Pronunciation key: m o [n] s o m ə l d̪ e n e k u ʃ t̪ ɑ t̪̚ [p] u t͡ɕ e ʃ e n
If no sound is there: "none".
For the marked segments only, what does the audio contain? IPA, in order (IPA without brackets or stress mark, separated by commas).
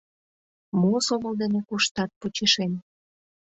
none, p